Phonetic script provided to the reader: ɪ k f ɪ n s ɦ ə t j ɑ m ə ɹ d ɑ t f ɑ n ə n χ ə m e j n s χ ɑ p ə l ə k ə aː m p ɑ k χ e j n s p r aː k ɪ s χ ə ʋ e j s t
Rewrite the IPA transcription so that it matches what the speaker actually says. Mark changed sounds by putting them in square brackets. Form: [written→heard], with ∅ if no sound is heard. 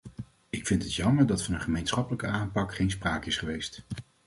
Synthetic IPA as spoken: ɪ k f ɪ n [s→t] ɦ ə t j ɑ m ə ɹ d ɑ t f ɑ n ə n χ ə m e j n s χ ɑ p ə l ə k ə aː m p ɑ k χ e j n s p r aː k ɪ s χ ə ʋ e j s t